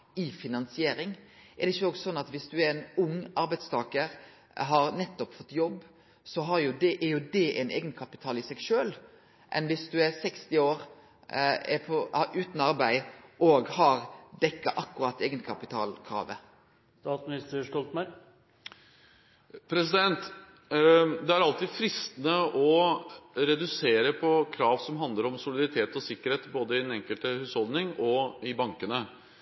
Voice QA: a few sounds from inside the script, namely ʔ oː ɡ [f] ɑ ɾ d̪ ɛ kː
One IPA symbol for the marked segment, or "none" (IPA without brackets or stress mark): h